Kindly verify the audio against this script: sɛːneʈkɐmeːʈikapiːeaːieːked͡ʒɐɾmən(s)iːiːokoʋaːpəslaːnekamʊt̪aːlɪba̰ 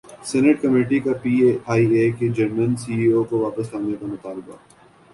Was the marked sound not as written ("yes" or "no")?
no